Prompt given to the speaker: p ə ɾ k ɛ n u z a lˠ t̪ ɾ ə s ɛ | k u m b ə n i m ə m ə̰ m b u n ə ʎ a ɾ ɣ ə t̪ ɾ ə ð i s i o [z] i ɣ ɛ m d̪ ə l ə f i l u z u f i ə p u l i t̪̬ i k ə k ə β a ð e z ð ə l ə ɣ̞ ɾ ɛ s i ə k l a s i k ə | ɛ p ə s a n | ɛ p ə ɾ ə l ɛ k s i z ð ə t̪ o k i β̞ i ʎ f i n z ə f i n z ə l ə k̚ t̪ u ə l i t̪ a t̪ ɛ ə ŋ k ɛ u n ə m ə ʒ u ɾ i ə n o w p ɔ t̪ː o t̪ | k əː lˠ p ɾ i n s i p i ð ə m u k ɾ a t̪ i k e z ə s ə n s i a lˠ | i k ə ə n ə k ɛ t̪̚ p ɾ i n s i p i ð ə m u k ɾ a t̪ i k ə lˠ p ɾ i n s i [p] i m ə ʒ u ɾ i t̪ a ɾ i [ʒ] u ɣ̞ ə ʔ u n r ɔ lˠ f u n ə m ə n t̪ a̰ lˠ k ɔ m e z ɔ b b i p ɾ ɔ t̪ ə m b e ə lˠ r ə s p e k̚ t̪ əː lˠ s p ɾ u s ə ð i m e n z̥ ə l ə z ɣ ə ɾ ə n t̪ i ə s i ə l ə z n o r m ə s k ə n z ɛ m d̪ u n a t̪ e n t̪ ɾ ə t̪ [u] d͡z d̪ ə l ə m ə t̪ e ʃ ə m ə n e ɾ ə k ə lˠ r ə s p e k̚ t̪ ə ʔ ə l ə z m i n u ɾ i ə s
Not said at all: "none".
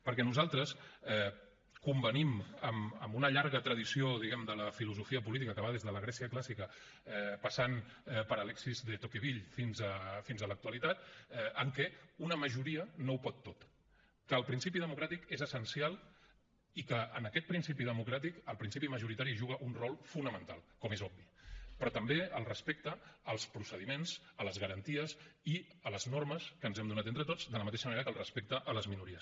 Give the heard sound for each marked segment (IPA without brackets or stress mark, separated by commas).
ð, p, ʒ, o